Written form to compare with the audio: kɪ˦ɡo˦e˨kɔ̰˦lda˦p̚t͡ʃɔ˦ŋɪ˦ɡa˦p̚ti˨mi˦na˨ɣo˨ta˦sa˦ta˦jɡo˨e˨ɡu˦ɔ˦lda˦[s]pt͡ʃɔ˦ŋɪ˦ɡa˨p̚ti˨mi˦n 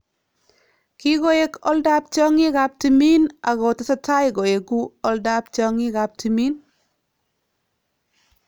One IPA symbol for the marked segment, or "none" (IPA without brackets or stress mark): none